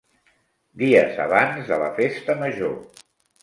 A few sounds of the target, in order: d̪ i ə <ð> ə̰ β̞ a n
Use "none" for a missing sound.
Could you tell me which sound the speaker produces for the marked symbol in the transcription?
z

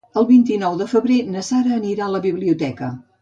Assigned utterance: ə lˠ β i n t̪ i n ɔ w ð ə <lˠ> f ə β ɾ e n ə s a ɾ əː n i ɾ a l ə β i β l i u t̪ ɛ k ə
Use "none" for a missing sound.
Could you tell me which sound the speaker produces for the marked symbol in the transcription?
none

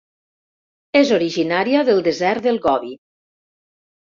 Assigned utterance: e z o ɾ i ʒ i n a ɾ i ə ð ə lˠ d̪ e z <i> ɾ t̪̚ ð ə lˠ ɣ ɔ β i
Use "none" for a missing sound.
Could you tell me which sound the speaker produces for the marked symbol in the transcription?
ɛ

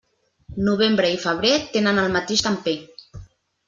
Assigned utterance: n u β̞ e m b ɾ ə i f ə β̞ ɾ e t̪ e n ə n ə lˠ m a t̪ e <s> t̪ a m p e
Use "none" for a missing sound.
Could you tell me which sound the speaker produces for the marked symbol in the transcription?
ʃ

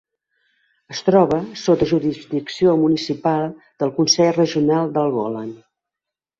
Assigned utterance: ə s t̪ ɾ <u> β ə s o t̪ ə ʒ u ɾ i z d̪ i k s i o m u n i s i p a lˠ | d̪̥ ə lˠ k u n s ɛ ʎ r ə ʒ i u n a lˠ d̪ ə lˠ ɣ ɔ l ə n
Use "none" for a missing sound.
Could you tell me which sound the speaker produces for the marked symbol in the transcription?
ɔ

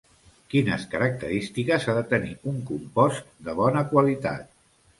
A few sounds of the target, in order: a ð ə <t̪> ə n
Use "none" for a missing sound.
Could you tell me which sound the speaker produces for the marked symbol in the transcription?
t̪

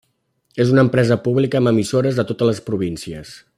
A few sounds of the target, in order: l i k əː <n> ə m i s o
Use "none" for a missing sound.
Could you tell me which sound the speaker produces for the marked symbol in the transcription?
m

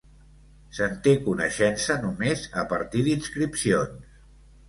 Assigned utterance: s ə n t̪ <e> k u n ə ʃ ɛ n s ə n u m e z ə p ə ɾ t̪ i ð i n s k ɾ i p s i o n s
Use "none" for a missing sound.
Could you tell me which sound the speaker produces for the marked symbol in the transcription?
e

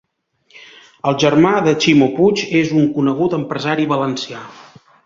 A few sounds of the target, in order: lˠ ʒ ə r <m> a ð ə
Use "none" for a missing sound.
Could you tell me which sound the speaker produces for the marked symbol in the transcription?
m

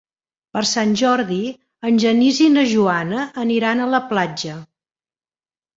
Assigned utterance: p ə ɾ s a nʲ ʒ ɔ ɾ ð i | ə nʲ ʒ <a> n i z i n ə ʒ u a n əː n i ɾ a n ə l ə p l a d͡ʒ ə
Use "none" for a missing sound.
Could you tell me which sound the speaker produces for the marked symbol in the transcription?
ə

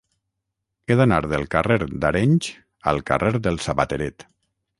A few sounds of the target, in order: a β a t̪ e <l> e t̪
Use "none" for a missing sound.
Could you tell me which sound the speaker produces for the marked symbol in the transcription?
ɾ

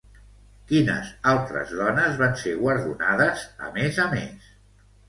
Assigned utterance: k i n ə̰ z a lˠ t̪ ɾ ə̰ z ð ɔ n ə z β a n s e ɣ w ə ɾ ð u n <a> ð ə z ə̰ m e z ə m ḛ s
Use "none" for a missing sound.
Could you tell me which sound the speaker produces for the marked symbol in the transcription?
a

